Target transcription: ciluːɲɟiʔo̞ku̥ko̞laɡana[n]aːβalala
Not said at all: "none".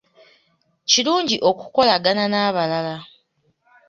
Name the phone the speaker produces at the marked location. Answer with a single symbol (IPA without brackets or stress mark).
n